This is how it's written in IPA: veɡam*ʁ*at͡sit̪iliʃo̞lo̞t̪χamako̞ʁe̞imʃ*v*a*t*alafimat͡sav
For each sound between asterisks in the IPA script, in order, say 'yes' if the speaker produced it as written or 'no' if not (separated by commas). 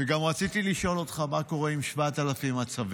yes, yes, yes